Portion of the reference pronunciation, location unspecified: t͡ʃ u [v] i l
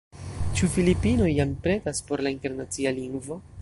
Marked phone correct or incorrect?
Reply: incorrect